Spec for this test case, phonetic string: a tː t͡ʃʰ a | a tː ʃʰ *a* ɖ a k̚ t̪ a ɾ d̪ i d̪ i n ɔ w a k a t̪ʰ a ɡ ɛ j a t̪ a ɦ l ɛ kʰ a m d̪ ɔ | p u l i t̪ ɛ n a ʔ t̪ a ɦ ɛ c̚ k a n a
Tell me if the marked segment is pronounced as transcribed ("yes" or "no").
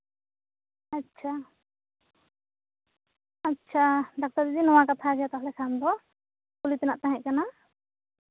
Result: yes